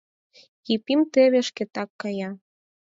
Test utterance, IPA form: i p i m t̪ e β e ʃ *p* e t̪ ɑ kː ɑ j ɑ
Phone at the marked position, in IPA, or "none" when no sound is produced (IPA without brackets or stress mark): k